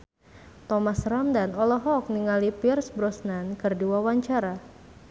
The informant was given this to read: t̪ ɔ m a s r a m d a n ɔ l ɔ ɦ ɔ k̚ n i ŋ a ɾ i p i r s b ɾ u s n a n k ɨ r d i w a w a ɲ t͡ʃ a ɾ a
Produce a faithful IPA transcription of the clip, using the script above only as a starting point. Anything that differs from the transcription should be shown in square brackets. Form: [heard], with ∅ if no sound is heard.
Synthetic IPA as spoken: t̪ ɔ m a s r a m d a n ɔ l ɔ ɦ ɔ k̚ n i ŋ a [l] i p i r s b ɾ [ɔ] s n a n k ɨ r d i w a w a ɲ t͡ʃ a ɾ a